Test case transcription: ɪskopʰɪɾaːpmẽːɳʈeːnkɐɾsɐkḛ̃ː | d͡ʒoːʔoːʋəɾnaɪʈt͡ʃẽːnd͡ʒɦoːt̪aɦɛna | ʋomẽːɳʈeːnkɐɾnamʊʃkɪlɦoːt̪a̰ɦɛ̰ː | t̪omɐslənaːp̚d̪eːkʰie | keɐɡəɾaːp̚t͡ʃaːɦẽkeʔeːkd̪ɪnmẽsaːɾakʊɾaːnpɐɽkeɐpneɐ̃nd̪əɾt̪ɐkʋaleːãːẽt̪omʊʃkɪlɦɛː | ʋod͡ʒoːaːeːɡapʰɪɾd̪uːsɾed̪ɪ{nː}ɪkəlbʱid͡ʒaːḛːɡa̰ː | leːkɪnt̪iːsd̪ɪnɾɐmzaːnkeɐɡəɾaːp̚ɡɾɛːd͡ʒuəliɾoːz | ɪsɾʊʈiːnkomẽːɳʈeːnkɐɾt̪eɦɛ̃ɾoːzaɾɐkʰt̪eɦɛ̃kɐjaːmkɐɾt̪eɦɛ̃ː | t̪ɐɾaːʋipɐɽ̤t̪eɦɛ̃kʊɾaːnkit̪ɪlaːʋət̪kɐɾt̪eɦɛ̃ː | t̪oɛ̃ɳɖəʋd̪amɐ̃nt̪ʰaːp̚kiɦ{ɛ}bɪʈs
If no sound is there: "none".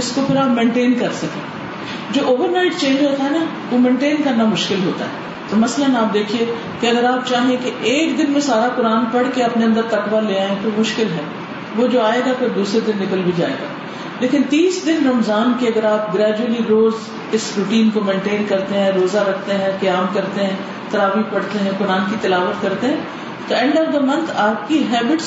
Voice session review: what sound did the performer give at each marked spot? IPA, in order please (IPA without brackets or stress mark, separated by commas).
nː, ɛː